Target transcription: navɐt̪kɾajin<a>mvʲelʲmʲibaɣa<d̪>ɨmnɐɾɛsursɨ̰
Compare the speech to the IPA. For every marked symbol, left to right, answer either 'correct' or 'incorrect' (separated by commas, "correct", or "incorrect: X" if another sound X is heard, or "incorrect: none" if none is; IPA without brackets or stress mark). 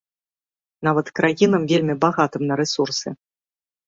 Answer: incorrect: ɐ, incorrect: t̪